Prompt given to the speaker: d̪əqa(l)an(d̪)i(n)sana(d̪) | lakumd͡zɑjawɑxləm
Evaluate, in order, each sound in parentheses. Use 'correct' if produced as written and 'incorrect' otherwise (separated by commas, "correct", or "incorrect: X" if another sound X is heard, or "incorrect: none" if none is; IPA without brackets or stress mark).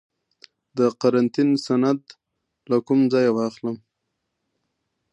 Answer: incorrect: ɾ, incorrect: t̪, correct, correct